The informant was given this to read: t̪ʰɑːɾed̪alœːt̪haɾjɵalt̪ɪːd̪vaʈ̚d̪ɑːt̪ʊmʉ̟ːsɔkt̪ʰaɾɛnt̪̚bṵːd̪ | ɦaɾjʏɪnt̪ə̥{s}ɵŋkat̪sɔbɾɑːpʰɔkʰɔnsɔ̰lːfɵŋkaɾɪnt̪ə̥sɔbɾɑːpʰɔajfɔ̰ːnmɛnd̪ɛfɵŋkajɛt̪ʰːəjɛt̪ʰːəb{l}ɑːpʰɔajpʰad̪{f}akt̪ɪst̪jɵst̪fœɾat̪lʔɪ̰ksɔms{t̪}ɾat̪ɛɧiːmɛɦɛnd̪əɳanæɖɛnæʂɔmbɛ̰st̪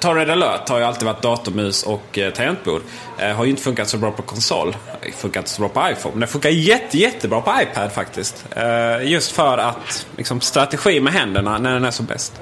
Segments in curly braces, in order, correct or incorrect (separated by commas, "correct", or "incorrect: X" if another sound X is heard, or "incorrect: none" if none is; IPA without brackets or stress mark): incorrect: f, incorrect: ɾ, correct, correct